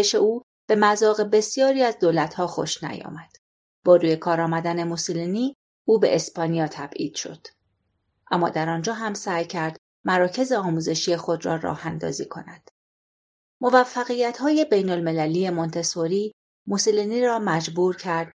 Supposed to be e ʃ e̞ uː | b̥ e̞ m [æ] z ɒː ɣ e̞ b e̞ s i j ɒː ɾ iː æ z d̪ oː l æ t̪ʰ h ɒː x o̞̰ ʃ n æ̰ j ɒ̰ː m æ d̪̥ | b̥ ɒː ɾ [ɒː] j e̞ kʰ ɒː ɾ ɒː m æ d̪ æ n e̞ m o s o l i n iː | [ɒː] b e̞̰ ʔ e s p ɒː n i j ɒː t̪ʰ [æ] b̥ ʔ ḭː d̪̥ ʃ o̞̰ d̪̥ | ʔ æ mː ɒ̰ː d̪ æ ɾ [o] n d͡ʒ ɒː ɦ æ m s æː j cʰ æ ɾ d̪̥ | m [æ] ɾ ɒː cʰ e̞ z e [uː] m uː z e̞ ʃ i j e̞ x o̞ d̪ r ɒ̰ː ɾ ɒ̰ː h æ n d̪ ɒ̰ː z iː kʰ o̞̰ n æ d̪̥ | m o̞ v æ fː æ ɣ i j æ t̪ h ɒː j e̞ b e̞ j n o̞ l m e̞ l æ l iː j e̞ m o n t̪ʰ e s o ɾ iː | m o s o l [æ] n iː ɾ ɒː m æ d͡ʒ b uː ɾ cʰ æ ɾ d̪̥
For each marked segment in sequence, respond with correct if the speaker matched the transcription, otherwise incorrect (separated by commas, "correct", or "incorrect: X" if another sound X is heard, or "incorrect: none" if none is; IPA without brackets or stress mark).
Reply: correct, incorrect: uː, incorrect: uː, correct, incorrect: ɒ, correct, incorrect: ɒː, incorrect: i